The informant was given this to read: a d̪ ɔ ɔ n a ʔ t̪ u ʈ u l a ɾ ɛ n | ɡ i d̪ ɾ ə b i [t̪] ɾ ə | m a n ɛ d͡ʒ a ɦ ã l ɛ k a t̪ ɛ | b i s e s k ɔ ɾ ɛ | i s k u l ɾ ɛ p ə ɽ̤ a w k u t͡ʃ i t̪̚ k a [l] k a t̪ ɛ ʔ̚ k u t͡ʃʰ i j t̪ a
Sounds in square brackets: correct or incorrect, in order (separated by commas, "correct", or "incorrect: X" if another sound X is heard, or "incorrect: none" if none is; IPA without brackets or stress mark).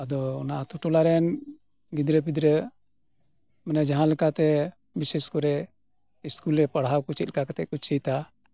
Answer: incorrect: d̪, incorrect: none